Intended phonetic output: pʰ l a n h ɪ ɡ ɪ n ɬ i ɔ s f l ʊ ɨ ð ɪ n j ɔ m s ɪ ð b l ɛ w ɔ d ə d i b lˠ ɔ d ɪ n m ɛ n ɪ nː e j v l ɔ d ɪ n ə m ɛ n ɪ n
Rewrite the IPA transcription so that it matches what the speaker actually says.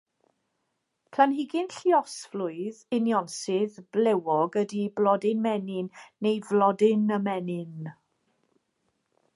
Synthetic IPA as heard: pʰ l a n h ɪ ɡ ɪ n ɬ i ɔ s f l ʊ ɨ ð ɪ n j ɔ n s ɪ ð b l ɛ w ɔ ɡ ə d i b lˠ ɔ d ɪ n m ɛ n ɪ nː e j v l ɔ d ɪ n ə m ɛ n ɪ n